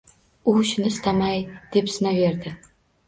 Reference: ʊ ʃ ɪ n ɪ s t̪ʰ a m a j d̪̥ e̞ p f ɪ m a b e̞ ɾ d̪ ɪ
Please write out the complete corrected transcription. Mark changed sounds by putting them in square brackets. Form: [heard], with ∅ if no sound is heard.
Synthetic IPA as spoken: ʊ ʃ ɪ n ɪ s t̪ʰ a m a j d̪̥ e̞ p [s] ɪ [n] a [v] e̞ ɾ d̪ ɪ